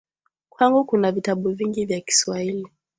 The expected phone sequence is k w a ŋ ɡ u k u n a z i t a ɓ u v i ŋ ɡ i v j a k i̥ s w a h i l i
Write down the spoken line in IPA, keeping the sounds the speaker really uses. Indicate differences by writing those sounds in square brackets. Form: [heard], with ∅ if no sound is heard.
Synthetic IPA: k w a ŋ ɡ u k u n a [v] i t a ɓ u v i ŋ ɡ i v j a k i̥ s w a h i l i